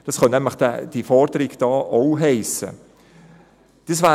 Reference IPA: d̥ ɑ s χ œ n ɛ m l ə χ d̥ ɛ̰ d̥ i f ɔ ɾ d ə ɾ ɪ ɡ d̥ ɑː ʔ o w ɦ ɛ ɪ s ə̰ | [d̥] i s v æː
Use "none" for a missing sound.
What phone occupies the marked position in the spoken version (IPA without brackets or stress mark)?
d̥